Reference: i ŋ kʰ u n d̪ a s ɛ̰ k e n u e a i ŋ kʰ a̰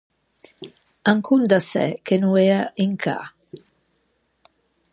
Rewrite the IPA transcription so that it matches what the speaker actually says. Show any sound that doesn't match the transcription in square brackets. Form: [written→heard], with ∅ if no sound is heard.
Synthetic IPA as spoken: [i→a] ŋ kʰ u n d̪ a s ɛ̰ k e n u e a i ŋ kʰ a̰